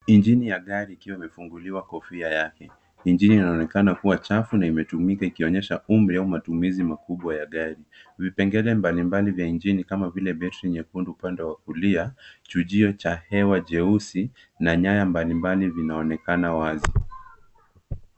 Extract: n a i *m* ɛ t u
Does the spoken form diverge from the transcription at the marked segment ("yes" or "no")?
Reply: no